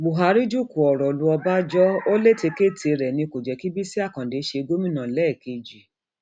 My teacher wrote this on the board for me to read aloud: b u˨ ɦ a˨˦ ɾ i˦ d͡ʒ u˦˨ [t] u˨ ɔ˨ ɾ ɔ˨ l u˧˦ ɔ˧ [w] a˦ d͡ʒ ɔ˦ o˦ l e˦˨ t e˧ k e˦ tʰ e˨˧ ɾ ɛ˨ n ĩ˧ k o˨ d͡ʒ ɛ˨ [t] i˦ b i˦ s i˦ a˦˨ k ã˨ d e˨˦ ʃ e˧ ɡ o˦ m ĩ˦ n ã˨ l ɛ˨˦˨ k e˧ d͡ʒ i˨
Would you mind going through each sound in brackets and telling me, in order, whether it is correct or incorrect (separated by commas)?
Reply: incorrect, incorrect, incorrect